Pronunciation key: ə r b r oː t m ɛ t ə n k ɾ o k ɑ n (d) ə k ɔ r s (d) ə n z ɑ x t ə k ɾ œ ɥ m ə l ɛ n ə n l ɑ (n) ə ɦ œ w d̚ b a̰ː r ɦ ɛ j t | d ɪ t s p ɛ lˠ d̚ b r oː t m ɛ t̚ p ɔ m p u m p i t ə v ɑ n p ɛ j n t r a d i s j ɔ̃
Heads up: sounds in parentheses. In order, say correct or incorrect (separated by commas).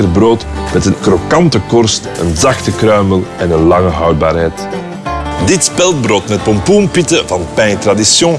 incorrect, incorrect, incorrect